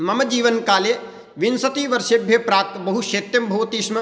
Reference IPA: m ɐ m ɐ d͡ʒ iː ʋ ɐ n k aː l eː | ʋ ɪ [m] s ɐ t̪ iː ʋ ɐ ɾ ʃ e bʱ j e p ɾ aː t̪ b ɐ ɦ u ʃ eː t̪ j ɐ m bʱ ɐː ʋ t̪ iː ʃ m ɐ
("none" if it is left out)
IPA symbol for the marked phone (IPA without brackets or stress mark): n